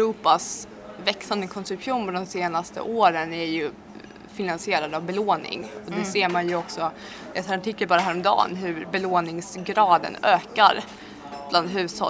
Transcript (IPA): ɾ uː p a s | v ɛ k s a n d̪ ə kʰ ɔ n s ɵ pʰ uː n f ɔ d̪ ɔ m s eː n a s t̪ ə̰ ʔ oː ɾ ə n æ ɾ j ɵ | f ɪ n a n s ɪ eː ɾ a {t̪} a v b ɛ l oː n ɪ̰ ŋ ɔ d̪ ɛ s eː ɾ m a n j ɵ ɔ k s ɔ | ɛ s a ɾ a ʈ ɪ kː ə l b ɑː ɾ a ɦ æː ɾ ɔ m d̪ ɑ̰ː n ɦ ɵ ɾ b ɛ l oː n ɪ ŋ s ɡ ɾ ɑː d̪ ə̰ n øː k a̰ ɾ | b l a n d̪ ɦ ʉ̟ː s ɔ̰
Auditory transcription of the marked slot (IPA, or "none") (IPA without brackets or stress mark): d̪